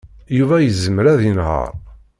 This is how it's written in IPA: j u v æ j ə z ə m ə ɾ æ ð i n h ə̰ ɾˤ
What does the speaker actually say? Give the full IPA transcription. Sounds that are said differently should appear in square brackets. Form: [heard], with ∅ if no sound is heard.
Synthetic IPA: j u v æ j ə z ə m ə ɾ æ ð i n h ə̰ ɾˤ